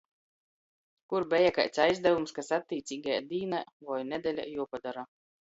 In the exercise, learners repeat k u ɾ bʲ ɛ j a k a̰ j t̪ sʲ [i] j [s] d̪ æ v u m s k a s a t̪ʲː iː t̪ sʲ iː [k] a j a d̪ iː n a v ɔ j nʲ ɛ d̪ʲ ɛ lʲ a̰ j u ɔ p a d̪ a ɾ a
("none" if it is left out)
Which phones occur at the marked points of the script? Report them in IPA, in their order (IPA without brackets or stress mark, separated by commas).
a, z, ɡ